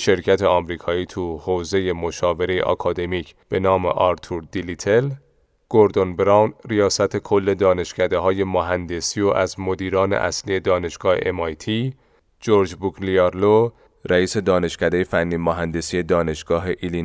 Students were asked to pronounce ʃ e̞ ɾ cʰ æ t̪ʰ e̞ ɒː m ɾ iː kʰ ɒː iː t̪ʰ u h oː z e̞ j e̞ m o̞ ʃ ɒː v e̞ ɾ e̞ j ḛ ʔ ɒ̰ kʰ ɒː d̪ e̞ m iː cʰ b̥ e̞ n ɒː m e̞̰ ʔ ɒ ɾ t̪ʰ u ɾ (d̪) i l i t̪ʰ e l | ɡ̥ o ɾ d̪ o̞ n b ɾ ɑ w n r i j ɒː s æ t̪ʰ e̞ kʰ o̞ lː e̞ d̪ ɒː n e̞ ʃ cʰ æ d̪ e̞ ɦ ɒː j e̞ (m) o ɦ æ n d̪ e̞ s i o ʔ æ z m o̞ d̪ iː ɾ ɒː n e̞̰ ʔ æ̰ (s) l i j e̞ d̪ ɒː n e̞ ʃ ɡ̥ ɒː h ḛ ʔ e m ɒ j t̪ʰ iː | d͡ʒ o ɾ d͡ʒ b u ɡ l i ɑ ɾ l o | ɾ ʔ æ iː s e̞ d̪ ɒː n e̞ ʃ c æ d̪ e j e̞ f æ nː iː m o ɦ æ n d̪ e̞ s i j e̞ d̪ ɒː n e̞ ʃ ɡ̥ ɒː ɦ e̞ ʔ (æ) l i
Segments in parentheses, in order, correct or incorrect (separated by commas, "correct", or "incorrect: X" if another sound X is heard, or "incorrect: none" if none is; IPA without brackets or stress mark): correct, correct, correct, incorrect: i